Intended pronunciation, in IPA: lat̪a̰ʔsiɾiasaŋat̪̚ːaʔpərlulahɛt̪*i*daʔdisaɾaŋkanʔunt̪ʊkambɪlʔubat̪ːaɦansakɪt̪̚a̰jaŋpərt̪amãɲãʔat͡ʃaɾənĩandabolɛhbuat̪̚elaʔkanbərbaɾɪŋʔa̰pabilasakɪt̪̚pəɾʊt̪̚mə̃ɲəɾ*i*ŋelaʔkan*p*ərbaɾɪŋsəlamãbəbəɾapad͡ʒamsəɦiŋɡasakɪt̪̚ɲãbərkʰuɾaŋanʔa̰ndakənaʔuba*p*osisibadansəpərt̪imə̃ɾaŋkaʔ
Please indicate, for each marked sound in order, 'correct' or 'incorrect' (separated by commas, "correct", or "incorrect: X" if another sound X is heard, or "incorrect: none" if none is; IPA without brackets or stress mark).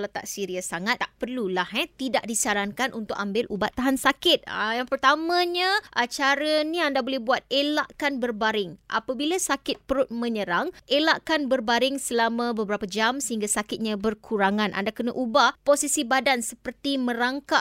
correct, incorrect: a, incorrect: b, correct